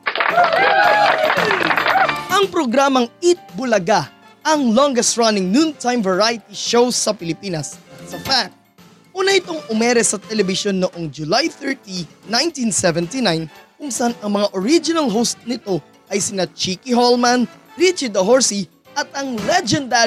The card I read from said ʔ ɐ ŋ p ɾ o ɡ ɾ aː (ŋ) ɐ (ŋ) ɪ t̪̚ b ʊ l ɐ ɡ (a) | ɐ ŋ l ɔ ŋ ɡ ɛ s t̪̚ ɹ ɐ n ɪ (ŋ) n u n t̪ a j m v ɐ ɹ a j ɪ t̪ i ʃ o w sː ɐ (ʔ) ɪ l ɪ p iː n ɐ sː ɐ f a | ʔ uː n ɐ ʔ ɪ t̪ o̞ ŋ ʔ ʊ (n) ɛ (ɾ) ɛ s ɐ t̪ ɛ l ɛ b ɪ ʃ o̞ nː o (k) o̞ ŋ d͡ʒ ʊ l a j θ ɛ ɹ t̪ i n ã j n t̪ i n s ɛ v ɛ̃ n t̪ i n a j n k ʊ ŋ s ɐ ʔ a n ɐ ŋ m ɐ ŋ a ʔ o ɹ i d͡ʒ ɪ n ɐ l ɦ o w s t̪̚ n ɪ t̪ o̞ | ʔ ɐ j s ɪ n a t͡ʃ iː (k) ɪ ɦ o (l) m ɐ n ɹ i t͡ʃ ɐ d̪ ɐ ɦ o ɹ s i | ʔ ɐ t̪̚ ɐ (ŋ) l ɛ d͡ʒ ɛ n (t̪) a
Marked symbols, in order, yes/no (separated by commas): no, yes, yes, yes, no, no, yes, no, yes, yes, yes, no